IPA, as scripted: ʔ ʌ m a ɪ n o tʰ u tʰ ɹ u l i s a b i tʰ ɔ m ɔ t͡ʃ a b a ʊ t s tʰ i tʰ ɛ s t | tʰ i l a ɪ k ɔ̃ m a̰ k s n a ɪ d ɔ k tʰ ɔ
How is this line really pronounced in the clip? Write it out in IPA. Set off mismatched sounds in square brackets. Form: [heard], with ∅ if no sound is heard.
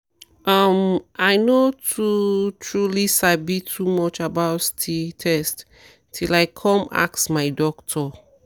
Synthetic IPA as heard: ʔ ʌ m a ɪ n o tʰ u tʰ ɹ u l i s a b i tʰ [u] m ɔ t͡ʃ a b a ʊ t s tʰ i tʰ ɛ s t | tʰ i l a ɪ [kʰ] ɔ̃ m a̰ k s [m] a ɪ d ɔ k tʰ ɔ